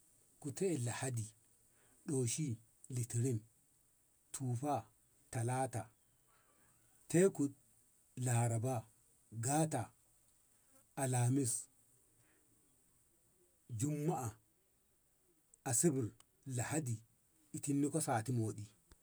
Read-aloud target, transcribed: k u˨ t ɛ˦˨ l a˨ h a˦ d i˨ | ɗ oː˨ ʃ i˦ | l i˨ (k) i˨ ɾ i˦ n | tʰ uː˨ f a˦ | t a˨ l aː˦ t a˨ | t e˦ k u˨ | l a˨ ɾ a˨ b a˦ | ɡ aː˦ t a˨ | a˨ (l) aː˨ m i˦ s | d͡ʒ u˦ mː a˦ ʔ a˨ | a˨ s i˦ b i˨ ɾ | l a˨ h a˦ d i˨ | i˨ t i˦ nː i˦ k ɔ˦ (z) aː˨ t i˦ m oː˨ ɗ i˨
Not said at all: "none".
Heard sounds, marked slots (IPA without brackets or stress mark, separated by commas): t, l, s